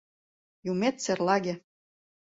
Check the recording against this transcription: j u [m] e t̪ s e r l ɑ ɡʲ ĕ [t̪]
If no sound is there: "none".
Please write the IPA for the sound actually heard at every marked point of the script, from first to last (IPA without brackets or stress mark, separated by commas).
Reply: m, none